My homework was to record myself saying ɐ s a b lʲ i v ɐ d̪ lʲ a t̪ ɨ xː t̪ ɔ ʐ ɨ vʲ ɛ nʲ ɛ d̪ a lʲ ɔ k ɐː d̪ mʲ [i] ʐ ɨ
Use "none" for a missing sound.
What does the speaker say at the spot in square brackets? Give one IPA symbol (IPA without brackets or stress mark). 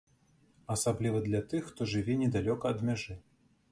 a